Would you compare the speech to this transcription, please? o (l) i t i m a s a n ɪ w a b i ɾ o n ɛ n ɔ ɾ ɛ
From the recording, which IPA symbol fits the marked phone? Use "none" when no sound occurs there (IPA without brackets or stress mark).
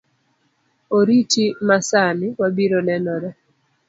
ɾ